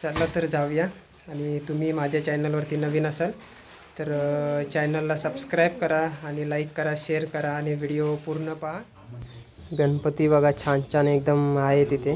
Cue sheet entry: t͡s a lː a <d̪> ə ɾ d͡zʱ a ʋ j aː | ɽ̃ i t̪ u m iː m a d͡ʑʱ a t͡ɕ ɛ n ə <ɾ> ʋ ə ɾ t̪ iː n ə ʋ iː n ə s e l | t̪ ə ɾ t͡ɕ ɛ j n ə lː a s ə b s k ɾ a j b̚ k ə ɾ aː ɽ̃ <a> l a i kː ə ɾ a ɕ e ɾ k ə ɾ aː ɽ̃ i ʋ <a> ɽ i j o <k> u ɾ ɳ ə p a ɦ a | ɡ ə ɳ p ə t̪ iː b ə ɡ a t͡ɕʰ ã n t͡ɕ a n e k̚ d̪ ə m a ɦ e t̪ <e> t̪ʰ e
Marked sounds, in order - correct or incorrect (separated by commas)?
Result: incorrect, incorrect, incorrect, incorrect, incorrect, incorrect